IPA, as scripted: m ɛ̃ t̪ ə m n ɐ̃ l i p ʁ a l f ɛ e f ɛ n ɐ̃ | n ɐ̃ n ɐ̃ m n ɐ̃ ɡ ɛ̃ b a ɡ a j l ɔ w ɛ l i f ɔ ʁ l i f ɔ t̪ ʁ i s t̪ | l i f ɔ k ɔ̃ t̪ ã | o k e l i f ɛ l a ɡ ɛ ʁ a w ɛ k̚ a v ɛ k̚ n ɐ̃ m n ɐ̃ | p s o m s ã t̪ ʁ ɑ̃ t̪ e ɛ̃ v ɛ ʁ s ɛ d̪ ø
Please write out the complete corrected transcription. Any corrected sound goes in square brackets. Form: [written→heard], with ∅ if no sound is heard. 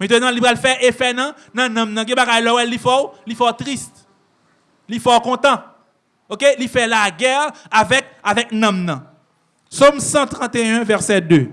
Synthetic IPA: m ɛ̃ t̪ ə [m→∅] n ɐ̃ l i p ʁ a l f ɛ e f ɛ n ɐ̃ | n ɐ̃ n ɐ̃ m n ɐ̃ ɡ ɛ̃ b a ɡ a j l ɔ w ɛ l i f ɔ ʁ l i f ɔ t̪ ʁ i s t̪ | l i f ɔ k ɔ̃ t̪ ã | o k e l i f ɛ l a ɡ ɛ ʁ a [w→v] ɛ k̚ a v ɛ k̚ n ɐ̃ m n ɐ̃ | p s o m s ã t̪ ʁ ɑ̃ t̪ e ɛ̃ v ɛ ʁ s ɛ d̪ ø